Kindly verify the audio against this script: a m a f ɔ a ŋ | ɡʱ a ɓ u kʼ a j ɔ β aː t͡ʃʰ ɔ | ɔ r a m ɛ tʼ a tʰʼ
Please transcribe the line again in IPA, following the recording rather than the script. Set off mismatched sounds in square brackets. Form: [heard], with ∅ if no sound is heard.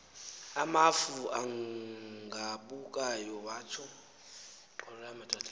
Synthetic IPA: a m a f [u] a ŋ | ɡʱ a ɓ u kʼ a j ɔ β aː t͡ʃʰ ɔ | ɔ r a m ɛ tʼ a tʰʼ